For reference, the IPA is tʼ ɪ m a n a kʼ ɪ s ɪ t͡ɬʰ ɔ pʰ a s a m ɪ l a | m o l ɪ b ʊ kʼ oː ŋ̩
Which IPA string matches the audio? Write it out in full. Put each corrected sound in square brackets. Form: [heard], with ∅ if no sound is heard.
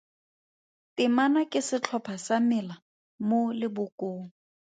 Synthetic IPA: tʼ ɪ m a n a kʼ ɪ s ɪ t͡ɬʰ ɔ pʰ a s a m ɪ l a | m o l ɪ b ʊ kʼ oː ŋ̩